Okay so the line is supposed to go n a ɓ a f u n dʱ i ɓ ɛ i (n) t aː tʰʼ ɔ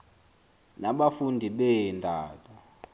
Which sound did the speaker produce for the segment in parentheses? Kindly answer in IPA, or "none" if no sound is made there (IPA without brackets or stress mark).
n